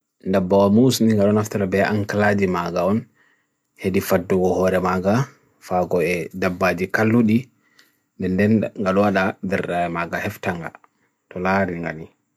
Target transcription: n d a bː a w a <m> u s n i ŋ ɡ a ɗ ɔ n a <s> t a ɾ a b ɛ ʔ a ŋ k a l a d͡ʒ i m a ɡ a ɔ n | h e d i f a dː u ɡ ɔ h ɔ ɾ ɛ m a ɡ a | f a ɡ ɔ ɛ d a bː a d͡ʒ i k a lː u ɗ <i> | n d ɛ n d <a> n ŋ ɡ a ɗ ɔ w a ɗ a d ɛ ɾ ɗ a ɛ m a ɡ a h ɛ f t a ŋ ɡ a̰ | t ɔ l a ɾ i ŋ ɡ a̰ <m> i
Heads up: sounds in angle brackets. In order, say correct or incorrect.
correct, incorrect, correct, incorrect, incorrect

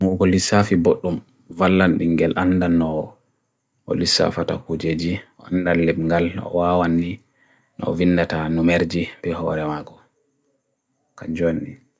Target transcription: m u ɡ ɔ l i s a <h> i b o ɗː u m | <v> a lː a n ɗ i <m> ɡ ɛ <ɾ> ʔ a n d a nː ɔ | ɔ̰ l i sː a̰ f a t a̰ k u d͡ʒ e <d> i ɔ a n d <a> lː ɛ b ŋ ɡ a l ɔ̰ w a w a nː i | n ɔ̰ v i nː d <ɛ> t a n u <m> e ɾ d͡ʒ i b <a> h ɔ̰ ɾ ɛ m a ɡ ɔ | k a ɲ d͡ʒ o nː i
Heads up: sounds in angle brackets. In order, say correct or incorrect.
incorrect, correct, incorrect, incorrect, incorrect, correct, incorrect, correct, incorrect

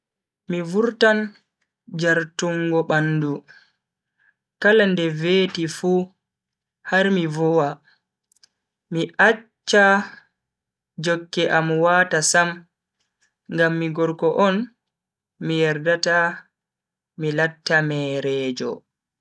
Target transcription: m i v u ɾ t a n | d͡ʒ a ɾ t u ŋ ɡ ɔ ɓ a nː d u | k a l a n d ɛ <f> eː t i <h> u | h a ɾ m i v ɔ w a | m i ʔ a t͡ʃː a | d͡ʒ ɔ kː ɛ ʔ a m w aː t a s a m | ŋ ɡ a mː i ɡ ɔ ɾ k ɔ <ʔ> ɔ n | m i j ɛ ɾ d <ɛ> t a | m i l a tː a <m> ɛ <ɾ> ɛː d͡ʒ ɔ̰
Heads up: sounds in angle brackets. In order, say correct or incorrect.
incorrect, incorrect, correct, incorrect, correct, correct

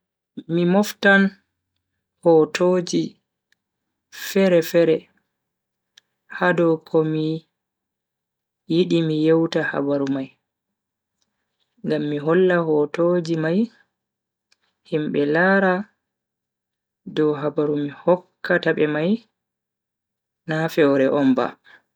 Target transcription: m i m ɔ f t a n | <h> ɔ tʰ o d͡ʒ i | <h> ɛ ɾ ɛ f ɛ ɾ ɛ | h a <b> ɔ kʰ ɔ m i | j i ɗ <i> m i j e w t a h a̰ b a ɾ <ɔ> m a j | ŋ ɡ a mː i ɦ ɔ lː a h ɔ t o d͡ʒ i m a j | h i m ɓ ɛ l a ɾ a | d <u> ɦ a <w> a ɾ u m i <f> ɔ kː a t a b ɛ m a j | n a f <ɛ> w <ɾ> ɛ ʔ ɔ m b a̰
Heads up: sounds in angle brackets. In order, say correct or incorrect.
correct, incorrect, incorrect, correct, incorrect, incorrect, incorrect, incorrect, correct, correct

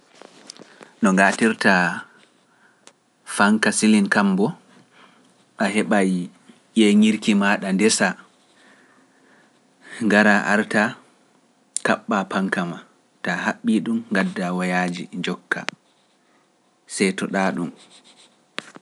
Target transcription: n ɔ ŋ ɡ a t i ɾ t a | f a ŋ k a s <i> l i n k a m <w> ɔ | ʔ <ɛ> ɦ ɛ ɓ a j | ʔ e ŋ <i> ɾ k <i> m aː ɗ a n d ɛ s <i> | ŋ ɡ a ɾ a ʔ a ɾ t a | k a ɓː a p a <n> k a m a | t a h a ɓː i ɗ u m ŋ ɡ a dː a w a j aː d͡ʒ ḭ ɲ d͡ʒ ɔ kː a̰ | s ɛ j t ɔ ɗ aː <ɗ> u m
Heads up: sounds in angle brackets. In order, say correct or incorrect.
correct, incorrect, incorrect, correct, correct, incorrect, incorrect, correct

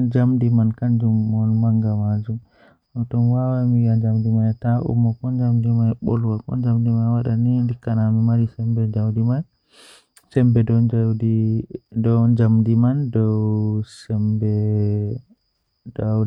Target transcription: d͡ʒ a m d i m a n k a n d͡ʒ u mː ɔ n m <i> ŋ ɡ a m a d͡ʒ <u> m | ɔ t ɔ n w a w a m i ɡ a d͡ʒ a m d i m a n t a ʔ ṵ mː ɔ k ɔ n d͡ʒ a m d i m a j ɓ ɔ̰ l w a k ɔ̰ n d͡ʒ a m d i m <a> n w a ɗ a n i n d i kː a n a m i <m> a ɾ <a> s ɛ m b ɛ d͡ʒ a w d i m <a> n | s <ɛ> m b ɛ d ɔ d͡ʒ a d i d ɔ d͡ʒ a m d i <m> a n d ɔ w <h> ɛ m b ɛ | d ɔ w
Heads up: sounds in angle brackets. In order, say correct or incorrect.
incorrect, correct, correct, correct, incorrect, correct, correct, correct, incorrect

